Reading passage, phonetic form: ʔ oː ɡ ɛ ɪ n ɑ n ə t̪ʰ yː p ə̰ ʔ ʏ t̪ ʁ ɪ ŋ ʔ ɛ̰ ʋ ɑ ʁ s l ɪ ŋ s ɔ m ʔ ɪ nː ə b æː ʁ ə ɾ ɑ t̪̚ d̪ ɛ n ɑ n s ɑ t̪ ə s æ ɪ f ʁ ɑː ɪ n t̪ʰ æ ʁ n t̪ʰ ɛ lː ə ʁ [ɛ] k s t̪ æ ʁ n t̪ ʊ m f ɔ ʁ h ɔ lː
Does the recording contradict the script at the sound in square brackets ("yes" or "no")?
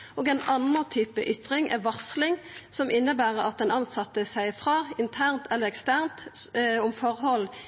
no